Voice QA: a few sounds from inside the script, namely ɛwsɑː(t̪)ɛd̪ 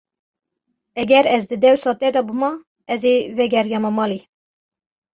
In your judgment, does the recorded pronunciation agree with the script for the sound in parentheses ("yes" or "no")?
yes